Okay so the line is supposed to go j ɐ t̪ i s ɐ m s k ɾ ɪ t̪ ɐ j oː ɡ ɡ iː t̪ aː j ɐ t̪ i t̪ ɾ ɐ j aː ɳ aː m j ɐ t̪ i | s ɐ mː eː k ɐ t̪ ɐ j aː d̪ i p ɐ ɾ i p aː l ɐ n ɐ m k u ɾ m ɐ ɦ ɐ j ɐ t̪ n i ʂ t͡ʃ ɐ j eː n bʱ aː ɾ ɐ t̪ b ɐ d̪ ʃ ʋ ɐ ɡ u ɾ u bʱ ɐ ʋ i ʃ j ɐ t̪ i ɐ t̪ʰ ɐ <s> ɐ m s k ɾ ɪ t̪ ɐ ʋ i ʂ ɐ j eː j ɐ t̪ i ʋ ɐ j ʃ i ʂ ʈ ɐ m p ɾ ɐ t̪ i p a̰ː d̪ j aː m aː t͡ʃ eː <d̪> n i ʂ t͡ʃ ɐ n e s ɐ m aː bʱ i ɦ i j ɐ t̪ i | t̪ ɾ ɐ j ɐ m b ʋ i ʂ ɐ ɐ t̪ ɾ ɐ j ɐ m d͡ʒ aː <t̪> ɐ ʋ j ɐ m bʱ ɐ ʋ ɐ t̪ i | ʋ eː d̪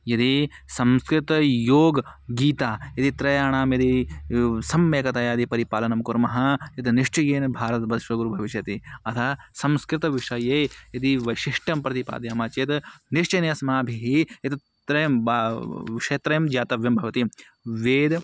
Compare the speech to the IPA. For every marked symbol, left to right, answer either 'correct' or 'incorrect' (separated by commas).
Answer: correct, incorrect, correct